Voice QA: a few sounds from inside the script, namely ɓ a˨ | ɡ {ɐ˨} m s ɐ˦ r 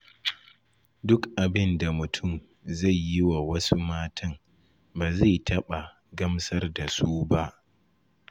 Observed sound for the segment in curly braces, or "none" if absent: ɐ˦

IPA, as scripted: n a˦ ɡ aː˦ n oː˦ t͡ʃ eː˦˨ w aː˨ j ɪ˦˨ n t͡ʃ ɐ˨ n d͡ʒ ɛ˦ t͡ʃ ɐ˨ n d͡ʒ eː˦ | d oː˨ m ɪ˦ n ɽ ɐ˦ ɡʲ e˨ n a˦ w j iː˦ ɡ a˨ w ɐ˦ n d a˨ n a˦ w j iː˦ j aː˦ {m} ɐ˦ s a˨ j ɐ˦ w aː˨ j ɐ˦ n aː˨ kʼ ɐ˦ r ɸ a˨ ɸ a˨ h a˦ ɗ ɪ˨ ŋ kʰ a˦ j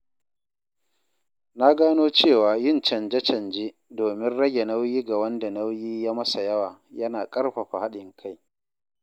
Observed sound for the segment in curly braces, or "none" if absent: m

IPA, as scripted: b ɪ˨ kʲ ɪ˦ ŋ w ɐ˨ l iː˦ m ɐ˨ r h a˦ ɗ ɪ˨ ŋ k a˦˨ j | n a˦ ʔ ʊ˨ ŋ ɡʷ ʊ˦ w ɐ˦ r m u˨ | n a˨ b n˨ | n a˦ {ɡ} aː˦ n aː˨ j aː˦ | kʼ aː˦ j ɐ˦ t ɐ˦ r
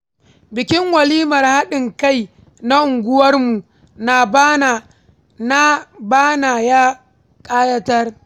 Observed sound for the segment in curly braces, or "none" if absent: b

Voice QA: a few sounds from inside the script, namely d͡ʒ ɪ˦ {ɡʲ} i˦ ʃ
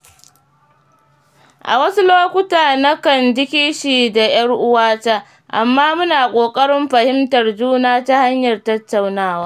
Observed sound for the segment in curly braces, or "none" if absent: kʲ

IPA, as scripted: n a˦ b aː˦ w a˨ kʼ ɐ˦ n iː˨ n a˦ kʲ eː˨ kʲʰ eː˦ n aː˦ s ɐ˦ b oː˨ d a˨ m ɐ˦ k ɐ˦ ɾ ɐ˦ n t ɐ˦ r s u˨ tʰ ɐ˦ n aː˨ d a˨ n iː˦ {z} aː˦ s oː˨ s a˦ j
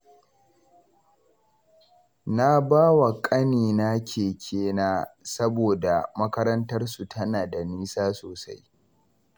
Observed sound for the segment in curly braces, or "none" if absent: s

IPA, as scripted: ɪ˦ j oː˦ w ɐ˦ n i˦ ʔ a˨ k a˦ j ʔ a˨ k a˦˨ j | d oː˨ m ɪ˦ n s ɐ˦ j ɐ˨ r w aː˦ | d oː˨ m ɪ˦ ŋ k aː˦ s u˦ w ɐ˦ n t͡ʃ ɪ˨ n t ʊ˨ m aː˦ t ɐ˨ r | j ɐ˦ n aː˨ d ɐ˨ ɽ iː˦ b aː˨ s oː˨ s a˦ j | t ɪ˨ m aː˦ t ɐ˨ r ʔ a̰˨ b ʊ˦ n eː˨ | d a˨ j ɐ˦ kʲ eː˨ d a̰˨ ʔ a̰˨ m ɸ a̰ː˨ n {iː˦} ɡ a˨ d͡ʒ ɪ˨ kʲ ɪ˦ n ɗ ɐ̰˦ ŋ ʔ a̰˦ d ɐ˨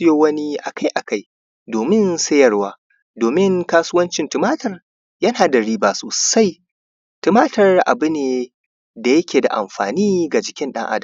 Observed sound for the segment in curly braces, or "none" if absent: iː˦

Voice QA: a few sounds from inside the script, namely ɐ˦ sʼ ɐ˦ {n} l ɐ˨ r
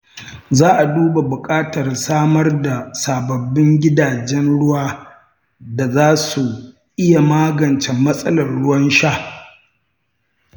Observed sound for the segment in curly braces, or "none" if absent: none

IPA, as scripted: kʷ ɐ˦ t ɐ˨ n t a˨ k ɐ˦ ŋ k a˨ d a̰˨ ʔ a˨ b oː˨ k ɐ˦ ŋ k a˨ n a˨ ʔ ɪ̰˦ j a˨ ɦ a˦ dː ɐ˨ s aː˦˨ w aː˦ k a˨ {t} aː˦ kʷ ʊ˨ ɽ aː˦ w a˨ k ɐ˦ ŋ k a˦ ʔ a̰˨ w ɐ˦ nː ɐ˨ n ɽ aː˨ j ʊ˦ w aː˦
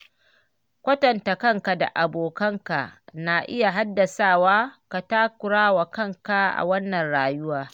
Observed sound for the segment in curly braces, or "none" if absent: t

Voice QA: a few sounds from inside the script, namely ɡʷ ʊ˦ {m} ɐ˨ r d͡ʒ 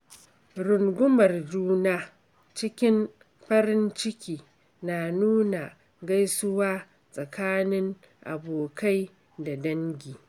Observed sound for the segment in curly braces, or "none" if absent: m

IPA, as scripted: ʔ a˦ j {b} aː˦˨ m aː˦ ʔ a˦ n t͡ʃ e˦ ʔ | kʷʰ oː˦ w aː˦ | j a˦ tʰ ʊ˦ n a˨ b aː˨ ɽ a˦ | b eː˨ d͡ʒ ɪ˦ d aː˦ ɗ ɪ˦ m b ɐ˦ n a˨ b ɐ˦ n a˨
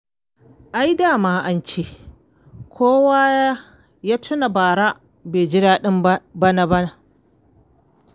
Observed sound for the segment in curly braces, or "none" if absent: d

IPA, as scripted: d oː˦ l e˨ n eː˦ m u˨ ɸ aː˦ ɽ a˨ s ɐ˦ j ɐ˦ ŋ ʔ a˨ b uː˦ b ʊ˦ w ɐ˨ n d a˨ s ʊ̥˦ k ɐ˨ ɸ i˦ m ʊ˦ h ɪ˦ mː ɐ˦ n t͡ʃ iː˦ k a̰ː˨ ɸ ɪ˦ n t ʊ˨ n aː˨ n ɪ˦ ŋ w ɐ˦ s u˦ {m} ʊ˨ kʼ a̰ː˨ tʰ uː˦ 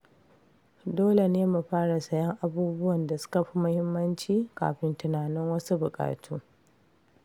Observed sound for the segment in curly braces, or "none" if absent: b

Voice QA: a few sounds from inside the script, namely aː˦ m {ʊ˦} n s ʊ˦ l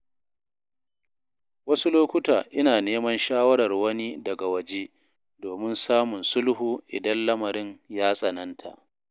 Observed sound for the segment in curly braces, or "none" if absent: ʊ˨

